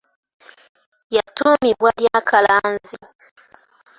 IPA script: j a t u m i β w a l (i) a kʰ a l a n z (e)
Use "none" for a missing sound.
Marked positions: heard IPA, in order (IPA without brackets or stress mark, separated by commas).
j, i